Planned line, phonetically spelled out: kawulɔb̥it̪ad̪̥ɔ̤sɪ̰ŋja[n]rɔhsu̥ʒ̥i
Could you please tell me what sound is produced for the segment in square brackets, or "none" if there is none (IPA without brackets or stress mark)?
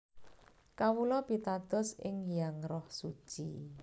ŋ